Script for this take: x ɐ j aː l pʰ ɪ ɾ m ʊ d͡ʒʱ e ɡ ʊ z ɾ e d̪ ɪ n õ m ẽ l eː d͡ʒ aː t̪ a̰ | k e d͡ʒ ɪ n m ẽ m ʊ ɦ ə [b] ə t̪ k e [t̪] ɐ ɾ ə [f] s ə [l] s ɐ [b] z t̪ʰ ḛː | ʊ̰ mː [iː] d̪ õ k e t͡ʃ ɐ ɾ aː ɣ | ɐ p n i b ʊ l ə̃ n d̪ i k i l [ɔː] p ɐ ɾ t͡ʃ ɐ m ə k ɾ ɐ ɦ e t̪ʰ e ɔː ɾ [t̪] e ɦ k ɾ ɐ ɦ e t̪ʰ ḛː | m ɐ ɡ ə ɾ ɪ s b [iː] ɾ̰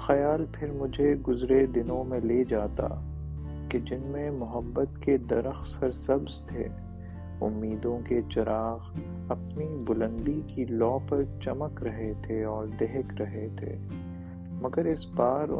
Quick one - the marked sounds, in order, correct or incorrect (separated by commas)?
incorrect, incorrect, incorrect, incorrect, correct, correct, correct, incorrect, incorrect